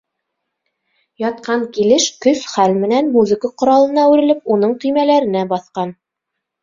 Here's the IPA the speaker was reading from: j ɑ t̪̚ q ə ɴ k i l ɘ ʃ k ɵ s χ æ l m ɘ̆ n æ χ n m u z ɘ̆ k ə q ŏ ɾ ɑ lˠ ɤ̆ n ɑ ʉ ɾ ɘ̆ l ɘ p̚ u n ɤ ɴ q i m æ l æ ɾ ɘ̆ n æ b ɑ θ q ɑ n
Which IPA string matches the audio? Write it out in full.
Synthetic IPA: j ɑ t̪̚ q ɑ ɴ k i l ɘ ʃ k ɵ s χ æ l m ɘ̆ n æ n m u z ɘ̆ k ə q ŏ ɾ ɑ lˠ ɤ̆ n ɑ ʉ ɾ ɘ̆ l ɘ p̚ u n ɤ ɴ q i m æ l æ ɾ ɘ̆ n æ b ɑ θ q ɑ n